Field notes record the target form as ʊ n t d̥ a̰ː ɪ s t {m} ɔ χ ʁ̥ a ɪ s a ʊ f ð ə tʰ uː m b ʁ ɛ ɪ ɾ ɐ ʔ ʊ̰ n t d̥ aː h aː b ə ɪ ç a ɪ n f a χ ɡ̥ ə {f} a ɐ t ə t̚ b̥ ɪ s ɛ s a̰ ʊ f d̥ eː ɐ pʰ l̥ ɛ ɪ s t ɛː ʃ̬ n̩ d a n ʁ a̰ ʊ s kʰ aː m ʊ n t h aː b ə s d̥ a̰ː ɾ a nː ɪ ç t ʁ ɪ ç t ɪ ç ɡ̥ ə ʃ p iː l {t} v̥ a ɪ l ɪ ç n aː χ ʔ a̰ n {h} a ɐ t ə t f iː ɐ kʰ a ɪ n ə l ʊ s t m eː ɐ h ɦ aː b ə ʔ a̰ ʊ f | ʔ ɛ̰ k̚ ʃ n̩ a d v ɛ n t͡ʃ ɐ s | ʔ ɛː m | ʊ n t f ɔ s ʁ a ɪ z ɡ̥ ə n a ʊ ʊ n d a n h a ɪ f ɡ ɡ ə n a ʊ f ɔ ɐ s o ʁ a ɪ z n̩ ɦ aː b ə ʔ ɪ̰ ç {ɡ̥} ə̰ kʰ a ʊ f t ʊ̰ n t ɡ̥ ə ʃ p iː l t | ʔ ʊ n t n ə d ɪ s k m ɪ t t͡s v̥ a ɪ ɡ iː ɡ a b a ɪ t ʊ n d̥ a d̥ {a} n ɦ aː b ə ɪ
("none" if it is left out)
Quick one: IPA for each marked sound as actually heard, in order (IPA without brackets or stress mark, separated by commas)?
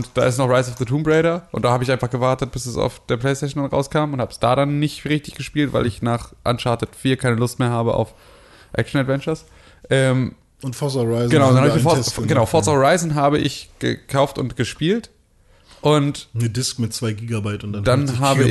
n, v, t, ʃ, ɡ̥, a